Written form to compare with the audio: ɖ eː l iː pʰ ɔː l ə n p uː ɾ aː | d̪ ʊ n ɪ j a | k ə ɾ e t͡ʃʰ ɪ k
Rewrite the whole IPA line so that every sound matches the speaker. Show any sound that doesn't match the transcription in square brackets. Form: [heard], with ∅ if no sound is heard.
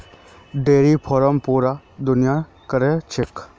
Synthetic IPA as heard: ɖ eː [ɾ] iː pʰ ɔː [ɾ] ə [m] p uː ɾ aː | d̪ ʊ n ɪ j a | k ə ɾ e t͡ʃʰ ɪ k